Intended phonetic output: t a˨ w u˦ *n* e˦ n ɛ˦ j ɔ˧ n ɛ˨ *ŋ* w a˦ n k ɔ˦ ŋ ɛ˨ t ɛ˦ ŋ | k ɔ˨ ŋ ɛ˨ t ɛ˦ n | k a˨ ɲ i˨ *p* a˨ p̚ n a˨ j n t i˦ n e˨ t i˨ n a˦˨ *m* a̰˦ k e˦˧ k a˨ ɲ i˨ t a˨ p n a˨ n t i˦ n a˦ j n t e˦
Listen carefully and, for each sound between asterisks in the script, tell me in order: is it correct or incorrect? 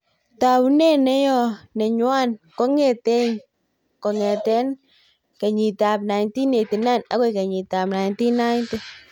correct, incorrect, incorrect, incorrect

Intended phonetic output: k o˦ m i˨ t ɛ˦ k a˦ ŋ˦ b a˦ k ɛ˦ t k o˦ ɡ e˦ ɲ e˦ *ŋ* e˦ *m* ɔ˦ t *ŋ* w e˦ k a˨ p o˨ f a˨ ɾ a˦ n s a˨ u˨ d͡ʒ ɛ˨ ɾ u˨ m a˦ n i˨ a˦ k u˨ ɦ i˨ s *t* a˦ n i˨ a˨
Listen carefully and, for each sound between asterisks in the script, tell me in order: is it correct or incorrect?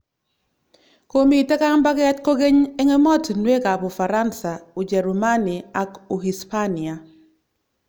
correct, correct, incorrect, incorrect

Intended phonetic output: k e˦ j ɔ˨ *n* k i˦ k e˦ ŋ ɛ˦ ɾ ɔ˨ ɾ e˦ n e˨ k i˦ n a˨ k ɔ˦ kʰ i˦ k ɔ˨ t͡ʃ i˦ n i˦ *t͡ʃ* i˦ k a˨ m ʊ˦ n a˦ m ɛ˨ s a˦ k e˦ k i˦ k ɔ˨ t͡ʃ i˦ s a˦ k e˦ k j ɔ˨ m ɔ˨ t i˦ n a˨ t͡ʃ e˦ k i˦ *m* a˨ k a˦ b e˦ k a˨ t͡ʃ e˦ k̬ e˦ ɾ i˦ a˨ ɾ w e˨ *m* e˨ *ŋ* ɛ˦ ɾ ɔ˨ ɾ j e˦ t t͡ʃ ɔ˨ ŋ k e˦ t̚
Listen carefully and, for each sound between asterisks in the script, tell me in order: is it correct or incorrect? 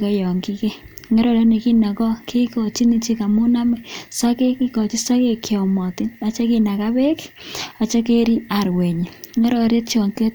incorrect, correct, incorrect, incorrect, correct

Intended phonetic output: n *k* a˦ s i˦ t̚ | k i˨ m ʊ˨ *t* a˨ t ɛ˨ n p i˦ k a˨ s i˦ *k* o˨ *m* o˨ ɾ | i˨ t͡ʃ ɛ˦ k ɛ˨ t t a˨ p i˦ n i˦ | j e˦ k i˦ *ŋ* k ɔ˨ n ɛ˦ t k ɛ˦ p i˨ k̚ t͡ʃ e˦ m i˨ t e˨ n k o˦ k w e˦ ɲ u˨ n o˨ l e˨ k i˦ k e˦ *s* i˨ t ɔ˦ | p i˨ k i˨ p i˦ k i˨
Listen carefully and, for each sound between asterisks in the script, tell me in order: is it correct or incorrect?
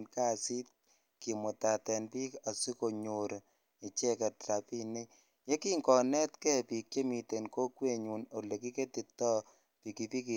correct, correct, correct, incorrect, correct, incorrect

